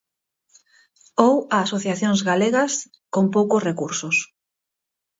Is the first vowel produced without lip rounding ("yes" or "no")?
no